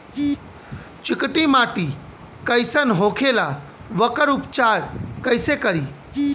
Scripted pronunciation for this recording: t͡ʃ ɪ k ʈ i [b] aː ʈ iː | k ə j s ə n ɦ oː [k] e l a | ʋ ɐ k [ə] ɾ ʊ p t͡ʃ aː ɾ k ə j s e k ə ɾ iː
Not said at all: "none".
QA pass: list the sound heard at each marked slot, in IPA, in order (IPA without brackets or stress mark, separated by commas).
m, kʰ, ə